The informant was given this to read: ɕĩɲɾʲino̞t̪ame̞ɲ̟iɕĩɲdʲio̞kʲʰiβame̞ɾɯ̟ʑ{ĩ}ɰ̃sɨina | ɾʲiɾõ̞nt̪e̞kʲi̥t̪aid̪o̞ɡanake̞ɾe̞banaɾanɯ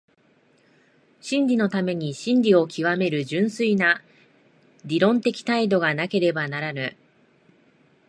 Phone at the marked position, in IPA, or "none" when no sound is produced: ɨ̃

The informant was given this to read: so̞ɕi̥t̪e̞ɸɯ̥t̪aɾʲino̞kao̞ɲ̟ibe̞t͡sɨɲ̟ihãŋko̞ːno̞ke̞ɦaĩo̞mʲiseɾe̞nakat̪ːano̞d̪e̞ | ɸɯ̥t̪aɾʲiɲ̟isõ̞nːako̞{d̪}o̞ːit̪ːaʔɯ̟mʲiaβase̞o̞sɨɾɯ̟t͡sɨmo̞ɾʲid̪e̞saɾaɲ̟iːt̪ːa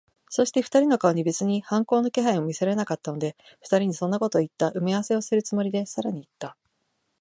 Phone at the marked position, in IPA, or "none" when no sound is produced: t̪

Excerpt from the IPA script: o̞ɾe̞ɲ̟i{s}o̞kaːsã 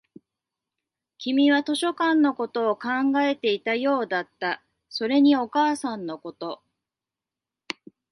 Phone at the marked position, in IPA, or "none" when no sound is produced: none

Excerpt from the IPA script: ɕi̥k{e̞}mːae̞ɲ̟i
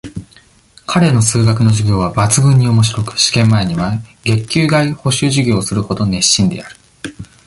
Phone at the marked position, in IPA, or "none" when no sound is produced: ẽ̞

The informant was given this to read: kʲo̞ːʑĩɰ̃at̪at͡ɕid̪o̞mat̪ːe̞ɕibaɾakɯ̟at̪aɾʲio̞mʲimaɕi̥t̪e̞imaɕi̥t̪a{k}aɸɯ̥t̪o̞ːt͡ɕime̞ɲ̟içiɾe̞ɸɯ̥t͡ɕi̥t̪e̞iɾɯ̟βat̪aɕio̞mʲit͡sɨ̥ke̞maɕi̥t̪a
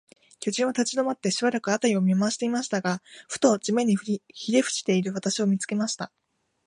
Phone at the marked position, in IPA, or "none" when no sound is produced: ɡ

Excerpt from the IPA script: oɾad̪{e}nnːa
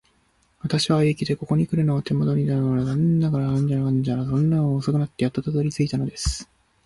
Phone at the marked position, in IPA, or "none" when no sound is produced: a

